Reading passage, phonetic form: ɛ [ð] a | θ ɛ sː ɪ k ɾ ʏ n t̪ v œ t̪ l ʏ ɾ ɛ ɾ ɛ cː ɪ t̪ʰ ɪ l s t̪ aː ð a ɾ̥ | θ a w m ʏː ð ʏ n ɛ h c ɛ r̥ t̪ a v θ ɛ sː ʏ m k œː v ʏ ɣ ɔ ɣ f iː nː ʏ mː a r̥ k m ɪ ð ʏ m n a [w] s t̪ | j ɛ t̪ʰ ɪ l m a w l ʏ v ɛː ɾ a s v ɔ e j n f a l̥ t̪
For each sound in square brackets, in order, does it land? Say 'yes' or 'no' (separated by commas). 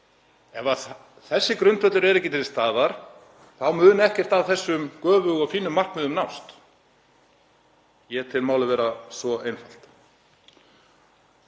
no, yes